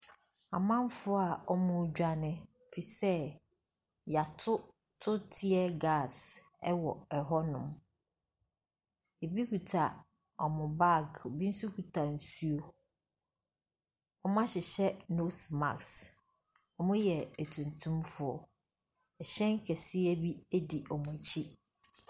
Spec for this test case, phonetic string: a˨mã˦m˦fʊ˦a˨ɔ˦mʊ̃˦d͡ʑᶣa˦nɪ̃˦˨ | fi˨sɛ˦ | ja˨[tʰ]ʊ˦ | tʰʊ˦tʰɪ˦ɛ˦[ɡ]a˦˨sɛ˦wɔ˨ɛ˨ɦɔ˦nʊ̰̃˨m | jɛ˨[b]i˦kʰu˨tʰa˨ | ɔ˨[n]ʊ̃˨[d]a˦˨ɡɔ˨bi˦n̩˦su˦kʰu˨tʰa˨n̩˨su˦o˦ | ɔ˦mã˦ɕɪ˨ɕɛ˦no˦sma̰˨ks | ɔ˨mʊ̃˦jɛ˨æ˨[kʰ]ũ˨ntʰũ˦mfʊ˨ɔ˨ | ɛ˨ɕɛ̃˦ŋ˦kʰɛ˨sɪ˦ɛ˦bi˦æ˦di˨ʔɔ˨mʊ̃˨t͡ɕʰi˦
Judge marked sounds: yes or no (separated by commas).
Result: yes, yes, yes, no, no, no